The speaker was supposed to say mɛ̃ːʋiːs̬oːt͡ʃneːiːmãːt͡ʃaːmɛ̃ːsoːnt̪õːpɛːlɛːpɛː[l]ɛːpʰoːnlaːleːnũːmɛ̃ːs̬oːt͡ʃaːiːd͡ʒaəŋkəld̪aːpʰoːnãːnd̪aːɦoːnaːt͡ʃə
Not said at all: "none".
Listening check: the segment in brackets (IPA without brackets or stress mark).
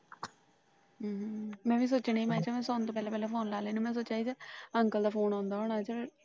l